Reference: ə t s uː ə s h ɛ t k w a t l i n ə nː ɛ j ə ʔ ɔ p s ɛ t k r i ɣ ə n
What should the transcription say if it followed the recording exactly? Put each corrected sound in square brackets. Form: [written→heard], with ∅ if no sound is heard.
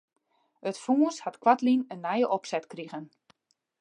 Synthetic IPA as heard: ə t [s→f] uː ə s h [ɛ→a] t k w a t l i n ə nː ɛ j ə ʔ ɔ p s ɛ t k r i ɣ ə n